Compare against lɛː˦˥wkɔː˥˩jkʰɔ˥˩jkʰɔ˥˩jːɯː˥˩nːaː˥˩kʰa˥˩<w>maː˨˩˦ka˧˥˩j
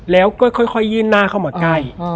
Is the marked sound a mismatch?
no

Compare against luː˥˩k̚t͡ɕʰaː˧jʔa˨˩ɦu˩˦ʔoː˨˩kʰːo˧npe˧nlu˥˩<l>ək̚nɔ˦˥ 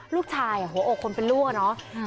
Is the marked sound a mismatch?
yes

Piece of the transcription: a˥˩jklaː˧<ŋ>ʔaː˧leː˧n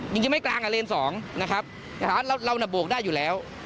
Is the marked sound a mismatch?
no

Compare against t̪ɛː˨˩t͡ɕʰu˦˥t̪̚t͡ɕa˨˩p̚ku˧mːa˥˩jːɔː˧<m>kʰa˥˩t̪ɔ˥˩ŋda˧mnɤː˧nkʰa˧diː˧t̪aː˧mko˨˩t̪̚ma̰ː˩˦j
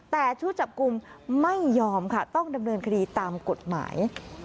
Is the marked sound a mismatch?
no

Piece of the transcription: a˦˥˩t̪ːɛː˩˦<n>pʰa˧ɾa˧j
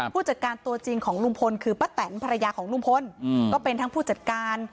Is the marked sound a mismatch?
no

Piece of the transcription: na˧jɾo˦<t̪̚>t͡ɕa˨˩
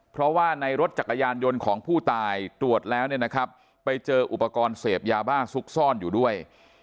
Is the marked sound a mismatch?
no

